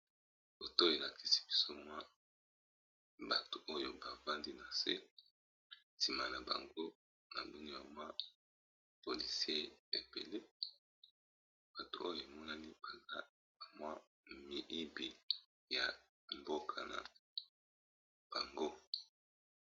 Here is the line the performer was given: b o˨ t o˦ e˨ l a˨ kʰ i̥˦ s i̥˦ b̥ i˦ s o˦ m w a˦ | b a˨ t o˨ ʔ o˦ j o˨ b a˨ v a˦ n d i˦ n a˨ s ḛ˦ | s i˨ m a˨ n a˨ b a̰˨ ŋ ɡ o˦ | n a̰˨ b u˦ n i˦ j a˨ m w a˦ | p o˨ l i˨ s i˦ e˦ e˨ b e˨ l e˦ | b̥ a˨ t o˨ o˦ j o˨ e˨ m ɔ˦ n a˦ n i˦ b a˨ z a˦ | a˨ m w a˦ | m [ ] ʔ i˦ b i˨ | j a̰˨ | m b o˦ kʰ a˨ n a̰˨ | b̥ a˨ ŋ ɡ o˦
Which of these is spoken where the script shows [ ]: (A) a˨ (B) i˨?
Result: B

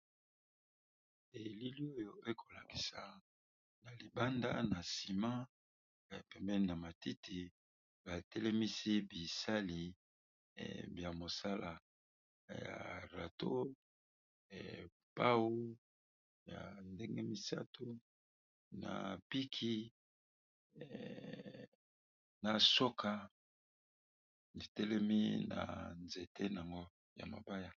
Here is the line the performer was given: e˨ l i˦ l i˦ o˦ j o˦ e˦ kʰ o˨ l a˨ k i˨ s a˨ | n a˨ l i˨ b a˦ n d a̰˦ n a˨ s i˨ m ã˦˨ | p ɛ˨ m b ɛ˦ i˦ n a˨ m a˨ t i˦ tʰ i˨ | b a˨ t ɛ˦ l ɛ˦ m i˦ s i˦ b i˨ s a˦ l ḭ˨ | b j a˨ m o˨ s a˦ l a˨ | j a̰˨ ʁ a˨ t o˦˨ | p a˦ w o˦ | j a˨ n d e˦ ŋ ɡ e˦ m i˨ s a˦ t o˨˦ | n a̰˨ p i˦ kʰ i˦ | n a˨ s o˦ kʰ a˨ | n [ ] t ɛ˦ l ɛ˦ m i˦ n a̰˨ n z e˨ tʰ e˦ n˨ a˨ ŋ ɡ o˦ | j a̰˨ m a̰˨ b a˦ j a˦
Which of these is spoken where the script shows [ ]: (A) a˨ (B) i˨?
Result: B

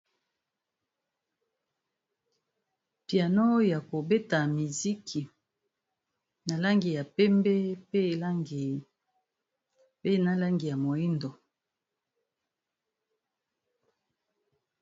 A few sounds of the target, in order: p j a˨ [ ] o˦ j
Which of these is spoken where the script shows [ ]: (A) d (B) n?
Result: B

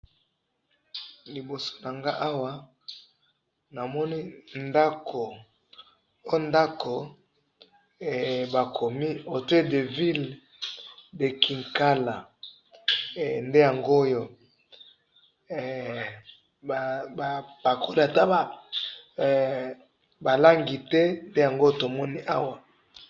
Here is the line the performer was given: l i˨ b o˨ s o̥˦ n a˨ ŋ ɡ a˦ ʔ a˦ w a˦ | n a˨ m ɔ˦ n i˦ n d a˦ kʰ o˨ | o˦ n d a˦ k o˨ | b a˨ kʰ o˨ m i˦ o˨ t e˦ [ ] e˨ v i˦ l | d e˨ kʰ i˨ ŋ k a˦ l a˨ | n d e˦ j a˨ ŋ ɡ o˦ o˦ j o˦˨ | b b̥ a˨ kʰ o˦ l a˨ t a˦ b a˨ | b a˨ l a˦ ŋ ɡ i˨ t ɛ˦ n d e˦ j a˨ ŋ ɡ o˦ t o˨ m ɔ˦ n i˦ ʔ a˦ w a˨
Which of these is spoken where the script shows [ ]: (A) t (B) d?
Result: B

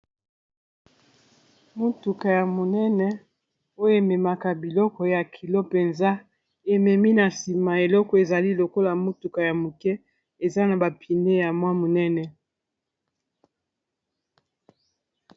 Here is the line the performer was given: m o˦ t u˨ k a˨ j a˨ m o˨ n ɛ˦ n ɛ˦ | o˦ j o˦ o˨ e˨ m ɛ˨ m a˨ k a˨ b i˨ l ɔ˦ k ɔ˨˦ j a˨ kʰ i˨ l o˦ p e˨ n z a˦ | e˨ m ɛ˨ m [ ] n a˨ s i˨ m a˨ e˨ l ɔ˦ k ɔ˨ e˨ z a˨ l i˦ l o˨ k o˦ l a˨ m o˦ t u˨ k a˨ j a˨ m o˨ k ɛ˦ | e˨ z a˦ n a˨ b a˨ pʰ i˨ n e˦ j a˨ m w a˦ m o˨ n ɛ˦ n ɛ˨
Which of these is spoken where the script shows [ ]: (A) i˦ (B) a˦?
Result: A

